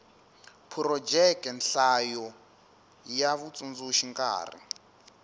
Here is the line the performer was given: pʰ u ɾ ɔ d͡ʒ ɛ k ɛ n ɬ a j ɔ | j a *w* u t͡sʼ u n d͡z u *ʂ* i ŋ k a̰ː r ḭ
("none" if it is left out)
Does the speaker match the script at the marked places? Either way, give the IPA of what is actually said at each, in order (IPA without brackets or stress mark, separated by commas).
β, ʃ